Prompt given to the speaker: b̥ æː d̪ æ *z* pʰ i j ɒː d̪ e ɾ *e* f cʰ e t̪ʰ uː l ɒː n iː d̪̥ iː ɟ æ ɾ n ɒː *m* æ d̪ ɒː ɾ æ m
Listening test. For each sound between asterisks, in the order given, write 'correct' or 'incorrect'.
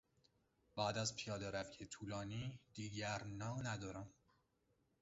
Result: correct, incorrect: æ, incorrect: n

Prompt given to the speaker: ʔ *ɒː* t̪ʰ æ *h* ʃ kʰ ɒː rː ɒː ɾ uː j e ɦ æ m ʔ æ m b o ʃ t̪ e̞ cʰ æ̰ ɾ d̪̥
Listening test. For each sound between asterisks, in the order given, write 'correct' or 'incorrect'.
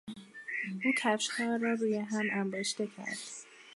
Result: incorrect: uː, incorrect: f

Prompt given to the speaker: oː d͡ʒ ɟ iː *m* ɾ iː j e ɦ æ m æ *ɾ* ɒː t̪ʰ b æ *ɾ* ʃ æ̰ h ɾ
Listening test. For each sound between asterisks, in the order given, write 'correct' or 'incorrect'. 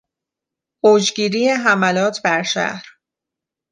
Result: incorrect: none, incorrect: l, correct

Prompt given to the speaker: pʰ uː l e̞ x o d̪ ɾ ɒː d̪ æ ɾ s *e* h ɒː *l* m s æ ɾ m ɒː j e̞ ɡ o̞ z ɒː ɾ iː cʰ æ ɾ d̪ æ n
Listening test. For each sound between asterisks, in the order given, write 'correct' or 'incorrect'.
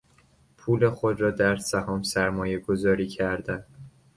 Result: incorrect: æ, incorrect: none

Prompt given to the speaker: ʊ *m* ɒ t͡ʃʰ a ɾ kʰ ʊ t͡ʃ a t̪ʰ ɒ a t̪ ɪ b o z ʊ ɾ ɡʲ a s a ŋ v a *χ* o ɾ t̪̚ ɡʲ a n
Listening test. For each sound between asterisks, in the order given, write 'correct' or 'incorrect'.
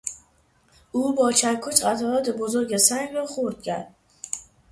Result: incorrect: b, correct

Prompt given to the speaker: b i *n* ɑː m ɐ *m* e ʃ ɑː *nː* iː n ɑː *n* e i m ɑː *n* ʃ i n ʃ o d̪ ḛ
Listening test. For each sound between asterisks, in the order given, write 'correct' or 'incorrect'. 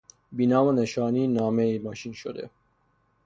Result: correct, incorrect: n, incorrect: n, incorrect: m, incorrect: none

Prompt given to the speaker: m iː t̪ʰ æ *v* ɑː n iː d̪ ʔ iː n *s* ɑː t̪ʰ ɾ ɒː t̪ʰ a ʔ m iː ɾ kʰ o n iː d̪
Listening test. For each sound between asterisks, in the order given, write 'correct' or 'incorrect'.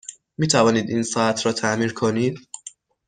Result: correct, correct

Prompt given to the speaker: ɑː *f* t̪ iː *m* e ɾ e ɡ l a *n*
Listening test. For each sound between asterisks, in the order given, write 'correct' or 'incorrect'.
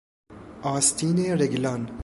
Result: incorrect: s, incorrect: n, correct

